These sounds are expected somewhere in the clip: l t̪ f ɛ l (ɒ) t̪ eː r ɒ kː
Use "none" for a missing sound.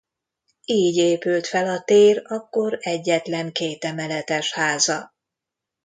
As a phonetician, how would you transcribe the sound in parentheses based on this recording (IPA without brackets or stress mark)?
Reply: ɒ